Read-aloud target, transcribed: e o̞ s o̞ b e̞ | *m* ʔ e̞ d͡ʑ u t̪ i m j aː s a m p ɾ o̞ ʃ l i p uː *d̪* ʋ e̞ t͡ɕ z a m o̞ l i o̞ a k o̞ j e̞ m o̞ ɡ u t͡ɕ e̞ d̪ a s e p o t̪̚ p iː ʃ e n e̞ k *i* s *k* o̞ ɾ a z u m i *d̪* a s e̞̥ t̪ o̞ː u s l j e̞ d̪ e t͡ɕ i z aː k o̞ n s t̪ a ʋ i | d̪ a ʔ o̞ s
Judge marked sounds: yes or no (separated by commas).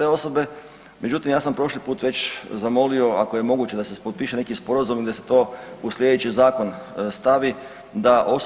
yes, no, yes, no, yes